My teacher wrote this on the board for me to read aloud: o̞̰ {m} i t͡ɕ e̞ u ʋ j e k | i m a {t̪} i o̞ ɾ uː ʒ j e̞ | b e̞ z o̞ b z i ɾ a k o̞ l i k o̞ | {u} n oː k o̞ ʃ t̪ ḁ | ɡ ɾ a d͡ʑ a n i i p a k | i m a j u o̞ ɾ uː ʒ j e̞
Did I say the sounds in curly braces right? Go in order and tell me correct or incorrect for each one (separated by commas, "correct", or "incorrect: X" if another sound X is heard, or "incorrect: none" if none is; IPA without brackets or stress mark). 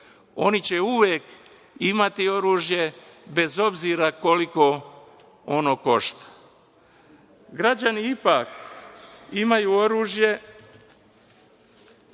incorrect: n, correct, incorrect: o